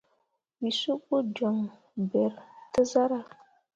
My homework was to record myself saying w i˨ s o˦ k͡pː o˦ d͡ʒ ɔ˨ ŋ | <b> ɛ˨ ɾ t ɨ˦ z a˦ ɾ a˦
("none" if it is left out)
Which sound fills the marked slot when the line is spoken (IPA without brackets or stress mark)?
b